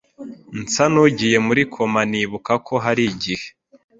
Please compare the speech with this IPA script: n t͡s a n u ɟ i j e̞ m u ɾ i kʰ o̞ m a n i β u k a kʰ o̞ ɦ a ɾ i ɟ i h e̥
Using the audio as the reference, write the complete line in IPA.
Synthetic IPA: n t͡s a n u ɟ i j e̞ m u ɾ i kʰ o̞ m a n i β u k a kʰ o̞ ɦ a ɾ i ɟ i h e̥